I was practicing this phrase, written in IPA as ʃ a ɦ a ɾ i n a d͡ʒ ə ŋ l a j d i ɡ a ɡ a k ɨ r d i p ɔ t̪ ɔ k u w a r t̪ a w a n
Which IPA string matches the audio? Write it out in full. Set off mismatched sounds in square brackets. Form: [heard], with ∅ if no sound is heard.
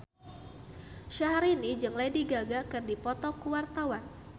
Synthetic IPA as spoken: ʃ a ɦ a ɾ i n [i] d͡ʒ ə ŋ l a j d i ɡ a ɡ a k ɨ r d i p ɔ t̪ ɔ k u w a r t̪ a w a n